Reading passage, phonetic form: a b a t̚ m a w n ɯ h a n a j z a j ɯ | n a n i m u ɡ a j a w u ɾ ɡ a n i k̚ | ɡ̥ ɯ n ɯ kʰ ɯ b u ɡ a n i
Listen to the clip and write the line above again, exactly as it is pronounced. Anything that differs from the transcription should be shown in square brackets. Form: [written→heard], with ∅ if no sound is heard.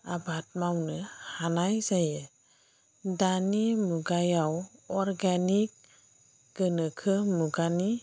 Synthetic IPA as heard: a b a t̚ m a w n ɯ h a n a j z a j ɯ | [n→d] a n i m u ɡ a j a w [u→ɔ] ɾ ɡ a n i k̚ | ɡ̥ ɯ n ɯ kʰ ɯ [b→m] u ɡ a n i